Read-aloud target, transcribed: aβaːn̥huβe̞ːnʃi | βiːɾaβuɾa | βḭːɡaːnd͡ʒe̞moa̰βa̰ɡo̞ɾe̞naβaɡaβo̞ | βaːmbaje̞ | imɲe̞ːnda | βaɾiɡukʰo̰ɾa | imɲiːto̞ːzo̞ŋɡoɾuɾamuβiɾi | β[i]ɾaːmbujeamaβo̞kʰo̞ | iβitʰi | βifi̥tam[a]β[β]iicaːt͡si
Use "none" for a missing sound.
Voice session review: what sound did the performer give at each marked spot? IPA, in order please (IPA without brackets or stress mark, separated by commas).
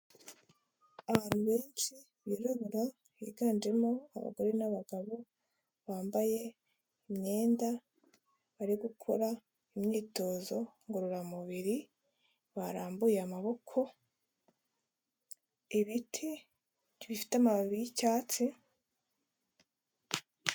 a, a, β